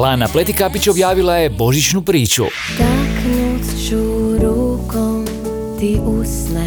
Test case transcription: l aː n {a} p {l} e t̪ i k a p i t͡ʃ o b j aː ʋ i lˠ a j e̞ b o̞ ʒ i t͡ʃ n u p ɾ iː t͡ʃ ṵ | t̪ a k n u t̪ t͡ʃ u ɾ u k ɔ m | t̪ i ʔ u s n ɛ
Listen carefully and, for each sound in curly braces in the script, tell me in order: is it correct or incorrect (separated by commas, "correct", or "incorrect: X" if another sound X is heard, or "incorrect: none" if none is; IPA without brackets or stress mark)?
correct, correct